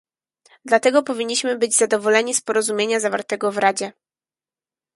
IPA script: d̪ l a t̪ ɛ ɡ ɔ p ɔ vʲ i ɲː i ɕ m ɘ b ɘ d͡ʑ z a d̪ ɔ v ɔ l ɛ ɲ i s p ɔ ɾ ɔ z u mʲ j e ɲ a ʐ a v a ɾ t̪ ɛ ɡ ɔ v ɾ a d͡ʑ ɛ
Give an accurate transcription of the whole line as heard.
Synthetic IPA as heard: d̪ l a t̪ ɛ ɡ ɔ p ɔ vʲ i ɲː i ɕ m ɘ b ɘ d͡ʑ z a d̪ ɔ v ɔ l ɛ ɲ i s p ɔ ɾ ɔ z u mʲ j e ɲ a z a v a ɾ t̪ ɛ ɡ ɔ v ɾ a d͡ʑ ɛ